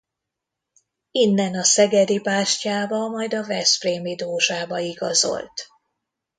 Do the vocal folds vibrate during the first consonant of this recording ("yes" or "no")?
yes